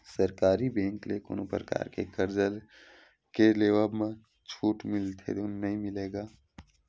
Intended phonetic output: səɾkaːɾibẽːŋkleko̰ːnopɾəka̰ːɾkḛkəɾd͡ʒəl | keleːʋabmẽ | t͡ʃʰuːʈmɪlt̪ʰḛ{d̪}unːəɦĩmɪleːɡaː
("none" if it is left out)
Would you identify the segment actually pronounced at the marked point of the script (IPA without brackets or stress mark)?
d̪